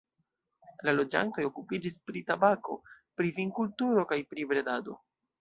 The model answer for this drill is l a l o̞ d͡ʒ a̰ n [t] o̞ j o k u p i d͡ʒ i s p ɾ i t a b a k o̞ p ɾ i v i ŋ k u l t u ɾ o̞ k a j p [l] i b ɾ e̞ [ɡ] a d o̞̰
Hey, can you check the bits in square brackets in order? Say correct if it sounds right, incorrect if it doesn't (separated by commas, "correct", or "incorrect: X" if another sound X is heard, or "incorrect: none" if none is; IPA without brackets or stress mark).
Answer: correct, incorrect: ɾ, incorrect: d